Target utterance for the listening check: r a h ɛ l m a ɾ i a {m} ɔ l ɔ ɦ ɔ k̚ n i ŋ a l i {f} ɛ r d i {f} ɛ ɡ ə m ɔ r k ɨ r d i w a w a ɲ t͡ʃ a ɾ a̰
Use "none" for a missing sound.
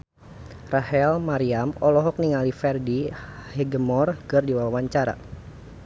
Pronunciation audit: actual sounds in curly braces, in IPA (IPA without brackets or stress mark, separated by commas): m, f, h